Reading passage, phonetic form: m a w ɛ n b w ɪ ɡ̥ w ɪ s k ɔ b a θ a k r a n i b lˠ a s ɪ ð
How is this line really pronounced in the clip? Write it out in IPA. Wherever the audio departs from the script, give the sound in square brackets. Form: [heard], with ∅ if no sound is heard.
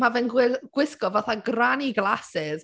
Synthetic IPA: m a [v] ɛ n [ɡ] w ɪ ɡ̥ w ɪ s k ɔ [v] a θ a [ɡ] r a n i [ɡ] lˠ a s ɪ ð